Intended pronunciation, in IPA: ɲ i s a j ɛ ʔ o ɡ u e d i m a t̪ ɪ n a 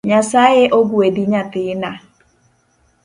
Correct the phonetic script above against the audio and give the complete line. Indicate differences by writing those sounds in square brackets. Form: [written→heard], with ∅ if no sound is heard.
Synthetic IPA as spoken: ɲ [i→a] s a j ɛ ʔ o ɡ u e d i [m→ɲ] a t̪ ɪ n a

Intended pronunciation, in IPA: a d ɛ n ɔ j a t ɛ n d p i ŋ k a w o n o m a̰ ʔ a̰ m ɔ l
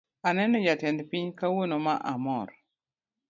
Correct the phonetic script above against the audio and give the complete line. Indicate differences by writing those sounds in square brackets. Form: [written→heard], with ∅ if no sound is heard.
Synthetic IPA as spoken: a [d→n] ɛ n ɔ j a t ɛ n d p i [ŋ→ɲ] k a w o n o m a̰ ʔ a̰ m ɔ [l→ɾ]

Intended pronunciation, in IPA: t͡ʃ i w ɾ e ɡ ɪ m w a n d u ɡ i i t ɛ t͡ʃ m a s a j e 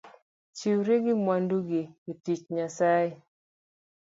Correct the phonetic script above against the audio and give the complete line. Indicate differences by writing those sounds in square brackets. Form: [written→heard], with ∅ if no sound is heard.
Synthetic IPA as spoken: t͡ʃ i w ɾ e ɡ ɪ m w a n d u ɡ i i t [ɛ→i] t͡ʃ [m→ɲ] a s a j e

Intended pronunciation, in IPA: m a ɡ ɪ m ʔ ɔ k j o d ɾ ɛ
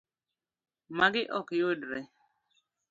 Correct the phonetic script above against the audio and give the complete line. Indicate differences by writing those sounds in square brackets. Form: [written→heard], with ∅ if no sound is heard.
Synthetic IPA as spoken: m a ɡ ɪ [m→∅] ʔ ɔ k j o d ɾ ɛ

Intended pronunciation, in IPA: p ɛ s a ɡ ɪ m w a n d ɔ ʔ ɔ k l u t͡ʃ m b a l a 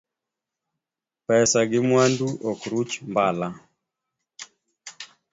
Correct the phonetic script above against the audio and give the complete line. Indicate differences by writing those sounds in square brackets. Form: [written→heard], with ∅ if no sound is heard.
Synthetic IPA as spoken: p ɛ s a ɡ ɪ m w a n d [ɔ→u] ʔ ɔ k [l→ɾ] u t͡ʃ m b a l a

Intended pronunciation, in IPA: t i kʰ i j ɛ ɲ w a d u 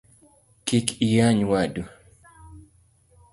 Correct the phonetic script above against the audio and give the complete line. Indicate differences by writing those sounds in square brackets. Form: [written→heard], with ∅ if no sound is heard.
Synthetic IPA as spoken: [t→k] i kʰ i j [ɛ→a] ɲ w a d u

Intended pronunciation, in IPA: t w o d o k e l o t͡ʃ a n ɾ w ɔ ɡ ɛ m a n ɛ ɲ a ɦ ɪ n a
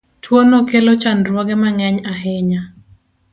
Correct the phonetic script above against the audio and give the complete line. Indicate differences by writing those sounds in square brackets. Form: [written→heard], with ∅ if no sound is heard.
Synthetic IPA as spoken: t w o [d→n] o k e l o t͡ʃ a n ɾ w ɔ ɡ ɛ m a [n→ŋ] ɛ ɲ a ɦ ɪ [n→ɲ] a

